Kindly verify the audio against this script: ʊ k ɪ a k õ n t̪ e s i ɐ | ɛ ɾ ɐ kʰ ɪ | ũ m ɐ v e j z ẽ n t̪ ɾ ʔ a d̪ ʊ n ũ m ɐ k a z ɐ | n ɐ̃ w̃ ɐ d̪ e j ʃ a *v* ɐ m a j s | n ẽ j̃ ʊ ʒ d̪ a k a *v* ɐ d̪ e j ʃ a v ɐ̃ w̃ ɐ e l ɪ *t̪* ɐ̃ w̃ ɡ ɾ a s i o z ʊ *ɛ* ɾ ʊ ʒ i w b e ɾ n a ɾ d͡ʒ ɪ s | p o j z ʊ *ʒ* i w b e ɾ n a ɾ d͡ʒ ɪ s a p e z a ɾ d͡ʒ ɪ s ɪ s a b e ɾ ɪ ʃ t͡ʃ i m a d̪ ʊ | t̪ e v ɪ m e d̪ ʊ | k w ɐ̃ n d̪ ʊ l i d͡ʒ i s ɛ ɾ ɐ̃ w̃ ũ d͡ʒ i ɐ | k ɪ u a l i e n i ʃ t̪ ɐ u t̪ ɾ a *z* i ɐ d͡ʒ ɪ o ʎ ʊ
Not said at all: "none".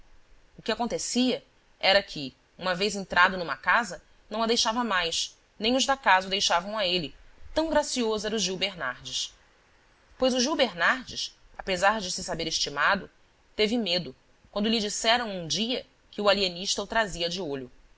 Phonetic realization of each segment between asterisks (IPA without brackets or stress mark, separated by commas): v, z, t̪, ɛ, ʒ, z